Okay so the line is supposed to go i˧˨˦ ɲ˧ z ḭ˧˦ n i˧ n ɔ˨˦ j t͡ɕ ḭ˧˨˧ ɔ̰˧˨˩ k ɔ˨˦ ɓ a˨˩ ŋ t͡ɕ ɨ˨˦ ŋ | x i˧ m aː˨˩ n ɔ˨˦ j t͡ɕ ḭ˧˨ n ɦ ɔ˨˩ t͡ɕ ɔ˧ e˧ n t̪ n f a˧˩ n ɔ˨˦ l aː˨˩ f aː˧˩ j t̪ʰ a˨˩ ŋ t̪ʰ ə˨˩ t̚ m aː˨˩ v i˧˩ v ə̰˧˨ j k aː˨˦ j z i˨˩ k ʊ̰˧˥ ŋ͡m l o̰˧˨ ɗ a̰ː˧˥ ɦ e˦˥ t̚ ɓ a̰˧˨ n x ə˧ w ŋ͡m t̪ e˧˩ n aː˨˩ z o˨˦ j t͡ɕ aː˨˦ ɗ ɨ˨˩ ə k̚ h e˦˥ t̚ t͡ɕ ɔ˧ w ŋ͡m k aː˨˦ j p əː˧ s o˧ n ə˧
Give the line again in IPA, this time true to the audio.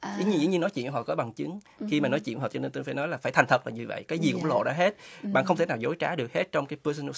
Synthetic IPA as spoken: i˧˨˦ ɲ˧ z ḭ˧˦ ɲ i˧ n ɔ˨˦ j t͡ɕ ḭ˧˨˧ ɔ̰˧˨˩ k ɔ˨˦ ɓ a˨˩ ŋ t͡ɕ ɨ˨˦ ŋ | x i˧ m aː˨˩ n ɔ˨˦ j t͡ɕ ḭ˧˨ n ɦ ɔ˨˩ t͡ɕ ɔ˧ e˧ n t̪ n f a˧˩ n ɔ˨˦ l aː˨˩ f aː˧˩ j t̪ʰ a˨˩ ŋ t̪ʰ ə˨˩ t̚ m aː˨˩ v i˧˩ v ə̰˧˨ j k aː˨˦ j z i˨˩ k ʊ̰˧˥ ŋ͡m l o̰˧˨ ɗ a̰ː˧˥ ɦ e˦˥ t̚ ɓ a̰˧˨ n x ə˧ w ŋ͡m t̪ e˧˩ n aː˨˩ z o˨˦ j t͡ɕ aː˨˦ ɗ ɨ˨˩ ə k̚ h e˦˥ t̚ t͡ɕ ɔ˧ w ŋ͡m k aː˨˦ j p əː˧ s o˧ n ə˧